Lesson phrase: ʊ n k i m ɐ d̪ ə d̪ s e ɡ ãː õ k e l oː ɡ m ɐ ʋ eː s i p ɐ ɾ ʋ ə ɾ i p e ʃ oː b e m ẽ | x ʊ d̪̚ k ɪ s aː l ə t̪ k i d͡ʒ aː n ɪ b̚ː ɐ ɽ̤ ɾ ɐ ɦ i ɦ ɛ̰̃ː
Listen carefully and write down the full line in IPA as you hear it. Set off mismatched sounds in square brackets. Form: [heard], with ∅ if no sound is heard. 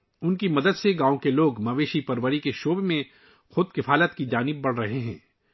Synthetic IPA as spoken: ʊ n k i m ɐ d̪ ə d̪ s e ɡ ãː õ k e l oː ɡ m ɐ ʋ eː [ʃ] i p ɐ ɾ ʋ ə ɾ i [k] e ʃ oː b e m ẽ | x ʊ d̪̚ k ɪ [f] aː l ə t̪ k i d͡ʒ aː n ɪ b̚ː ɐ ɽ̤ ɾ ɐ ɦ [e] ɦ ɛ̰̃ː